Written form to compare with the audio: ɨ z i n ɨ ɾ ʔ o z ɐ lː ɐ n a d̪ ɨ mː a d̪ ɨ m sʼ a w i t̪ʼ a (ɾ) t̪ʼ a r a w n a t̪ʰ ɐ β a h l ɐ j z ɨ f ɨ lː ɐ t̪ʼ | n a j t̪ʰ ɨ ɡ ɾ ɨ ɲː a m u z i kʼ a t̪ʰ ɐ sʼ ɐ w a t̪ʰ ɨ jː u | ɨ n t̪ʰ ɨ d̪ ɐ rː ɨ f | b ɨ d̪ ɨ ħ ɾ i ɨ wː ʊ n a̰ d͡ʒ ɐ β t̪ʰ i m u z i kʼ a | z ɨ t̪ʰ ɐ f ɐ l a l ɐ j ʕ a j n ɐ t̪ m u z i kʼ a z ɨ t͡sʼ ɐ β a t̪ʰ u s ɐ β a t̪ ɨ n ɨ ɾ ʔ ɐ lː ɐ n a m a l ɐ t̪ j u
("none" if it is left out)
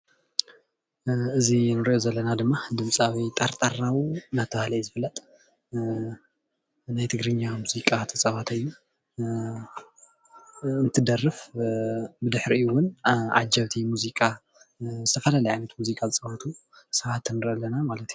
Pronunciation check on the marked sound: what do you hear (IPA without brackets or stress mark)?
ɾ